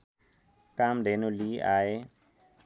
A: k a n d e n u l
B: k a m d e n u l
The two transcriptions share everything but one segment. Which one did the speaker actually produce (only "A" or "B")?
B